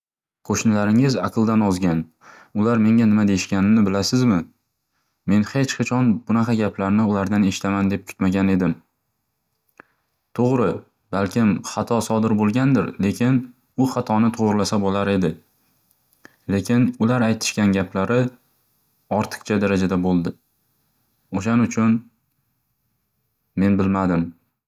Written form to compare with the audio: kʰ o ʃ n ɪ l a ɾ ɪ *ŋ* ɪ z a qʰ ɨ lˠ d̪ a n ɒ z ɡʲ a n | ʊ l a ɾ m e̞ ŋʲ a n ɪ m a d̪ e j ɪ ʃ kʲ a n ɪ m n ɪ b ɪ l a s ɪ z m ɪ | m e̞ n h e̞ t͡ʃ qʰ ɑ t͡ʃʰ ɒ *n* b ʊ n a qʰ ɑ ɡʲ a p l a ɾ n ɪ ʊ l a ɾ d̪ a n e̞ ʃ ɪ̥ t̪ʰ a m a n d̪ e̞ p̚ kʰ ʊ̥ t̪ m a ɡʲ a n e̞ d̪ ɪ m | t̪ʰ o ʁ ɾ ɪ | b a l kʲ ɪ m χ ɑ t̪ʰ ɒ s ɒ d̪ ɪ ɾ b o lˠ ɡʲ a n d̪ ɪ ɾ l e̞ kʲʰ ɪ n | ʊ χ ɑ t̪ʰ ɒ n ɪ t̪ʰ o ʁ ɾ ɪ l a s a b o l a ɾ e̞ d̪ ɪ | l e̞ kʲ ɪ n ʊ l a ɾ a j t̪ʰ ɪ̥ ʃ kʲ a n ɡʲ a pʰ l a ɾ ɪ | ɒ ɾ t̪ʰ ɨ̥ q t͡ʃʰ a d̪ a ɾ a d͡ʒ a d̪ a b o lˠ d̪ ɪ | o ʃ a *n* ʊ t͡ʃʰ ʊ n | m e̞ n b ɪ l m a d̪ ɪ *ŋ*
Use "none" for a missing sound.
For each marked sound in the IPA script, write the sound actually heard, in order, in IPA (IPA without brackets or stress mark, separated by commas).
ŋ, n, n, m